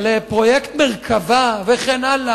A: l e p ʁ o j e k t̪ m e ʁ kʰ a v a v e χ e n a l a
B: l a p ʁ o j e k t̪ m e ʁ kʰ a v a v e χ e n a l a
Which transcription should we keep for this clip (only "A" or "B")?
A